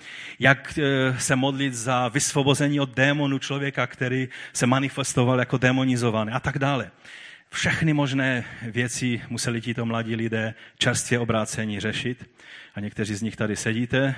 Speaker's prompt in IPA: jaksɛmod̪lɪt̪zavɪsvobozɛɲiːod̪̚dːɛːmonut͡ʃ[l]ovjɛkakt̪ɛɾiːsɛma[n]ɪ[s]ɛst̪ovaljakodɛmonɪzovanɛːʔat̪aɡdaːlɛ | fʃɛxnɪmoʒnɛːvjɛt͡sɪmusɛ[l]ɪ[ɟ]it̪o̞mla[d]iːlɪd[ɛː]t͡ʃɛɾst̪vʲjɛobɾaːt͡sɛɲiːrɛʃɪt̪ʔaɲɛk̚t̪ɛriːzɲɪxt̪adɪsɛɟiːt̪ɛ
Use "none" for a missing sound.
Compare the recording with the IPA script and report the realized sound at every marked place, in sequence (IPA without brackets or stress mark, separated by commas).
l, n, f, l, c, ɟ, ɛː